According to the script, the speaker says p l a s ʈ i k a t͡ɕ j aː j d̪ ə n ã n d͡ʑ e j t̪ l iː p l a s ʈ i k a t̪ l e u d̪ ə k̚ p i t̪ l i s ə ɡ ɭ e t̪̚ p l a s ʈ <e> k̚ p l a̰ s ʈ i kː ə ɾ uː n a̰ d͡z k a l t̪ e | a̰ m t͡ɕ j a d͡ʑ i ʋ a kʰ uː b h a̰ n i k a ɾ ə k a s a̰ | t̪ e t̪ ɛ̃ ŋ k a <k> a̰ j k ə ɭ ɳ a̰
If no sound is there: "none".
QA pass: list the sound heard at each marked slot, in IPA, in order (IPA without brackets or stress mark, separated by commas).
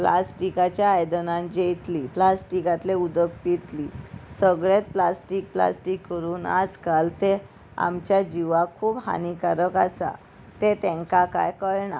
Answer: i, k